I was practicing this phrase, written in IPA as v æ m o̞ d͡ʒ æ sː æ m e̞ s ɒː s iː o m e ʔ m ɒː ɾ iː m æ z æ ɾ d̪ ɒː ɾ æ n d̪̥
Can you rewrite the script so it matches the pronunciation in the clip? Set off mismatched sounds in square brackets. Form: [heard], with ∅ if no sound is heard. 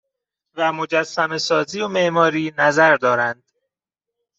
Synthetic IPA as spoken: v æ m o̞ d͡ʒ æ sː æ m e̞ s ɒː [z] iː o m e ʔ m ɒː ɾ iː [n] æ z æ ɾ d̪ ɒː ɾ æ n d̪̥